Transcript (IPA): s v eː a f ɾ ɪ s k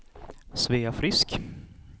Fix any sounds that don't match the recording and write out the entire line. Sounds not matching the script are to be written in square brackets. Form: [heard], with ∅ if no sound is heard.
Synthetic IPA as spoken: s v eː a f ɾ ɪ s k